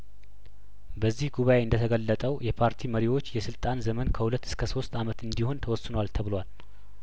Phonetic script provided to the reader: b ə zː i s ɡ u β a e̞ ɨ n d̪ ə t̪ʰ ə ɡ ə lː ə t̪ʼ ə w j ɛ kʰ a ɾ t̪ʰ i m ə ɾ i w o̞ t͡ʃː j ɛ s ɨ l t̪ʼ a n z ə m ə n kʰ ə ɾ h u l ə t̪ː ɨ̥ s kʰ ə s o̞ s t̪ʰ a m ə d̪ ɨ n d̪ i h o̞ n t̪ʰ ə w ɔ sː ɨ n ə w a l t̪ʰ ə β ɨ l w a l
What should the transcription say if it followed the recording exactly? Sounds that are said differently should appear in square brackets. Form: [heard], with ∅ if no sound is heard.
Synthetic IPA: b ə zː i [h] ɡ u β a e̞ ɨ n d̪ ə t̪ʰ ə ɡ ə lː ə t̪ʼ ə w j ɛ [pʰ] a ɾ t̪ʰ i m ə ɾ i w o̞ t͡ʃː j ɛ s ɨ l t̪ʼ a n z ə m ə n kʰ ə [∅] h u l ə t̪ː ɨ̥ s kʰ ə s o̞ s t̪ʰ a m ə [t̪] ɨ n d̪ i h o̞ n t̪ʰ ə w ɔ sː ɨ n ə w a l t̪ʰ ə β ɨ l w a l